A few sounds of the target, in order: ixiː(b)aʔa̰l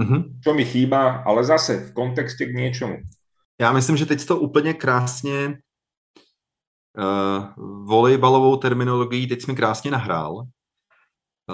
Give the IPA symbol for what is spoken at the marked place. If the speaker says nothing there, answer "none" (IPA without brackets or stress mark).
b